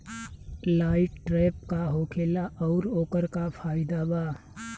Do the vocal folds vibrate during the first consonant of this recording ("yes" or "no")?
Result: yes